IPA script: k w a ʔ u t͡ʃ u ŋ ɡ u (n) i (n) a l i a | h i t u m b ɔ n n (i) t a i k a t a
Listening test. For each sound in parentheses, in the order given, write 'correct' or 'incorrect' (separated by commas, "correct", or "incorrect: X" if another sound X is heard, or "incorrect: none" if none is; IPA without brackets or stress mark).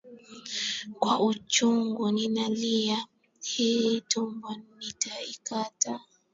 correct, correct, correct